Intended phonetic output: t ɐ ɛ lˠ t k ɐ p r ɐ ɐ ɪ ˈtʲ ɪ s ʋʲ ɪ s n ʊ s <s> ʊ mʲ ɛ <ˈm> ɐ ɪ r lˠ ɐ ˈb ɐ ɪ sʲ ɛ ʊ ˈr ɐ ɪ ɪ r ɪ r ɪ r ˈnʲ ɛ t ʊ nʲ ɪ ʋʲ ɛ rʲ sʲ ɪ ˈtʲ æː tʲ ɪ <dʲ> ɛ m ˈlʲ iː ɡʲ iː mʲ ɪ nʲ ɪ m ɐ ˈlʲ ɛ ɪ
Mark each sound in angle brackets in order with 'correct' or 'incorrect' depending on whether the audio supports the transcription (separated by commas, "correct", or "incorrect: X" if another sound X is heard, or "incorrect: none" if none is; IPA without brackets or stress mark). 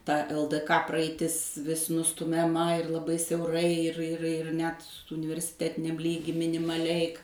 incorrect: t, correct, incorrect: nʲ